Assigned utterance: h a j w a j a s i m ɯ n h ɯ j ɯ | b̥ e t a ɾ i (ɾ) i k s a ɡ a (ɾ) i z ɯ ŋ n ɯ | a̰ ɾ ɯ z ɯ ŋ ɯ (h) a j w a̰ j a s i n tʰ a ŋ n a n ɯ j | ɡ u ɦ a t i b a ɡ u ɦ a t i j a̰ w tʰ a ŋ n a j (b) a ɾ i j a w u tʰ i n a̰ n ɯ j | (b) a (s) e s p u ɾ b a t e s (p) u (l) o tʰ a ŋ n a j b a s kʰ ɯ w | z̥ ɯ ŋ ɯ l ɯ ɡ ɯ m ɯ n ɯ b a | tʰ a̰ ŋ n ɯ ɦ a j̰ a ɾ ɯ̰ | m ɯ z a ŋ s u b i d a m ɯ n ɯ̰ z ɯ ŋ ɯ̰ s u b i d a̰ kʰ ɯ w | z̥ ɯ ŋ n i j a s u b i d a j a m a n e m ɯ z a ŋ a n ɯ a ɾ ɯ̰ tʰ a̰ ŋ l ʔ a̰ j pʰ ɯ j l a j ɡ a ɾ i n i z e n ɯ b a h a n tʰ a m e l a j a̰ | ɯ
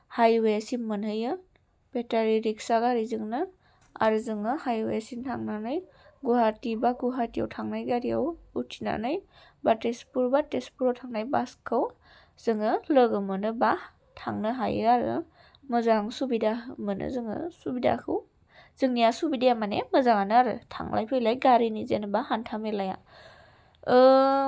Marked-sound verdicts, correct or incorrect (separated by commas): correct, correct, correct, incorrect, correct, incorrect, correct, incorrect